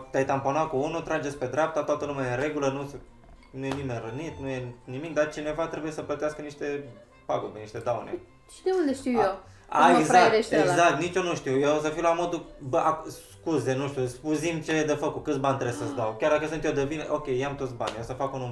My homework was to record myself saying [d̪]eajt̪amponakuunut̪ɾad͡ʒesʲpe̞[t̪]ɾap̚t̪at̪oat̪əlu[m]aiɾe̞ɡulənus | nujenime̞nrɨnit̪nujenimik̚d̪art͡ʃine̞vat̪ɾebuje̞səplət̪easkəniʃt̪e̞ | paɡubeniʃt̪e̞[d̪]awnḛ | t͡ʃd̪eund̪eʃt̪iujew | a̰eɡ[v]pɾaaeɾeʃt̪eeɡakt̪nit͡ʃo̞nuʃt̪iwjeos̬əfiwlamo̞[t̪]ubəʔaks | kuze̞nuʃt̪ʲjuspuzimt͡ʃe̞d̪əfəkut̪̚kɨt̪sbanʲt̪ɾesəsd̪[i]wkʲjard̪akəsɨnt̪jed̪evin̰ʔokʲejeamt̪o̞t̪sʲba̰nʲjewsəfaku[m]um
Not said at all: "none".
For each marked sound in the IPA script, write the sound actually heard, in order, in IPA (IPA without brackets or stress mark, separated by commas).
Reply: t̪, d̪, m, d̪, z, d̪, a, n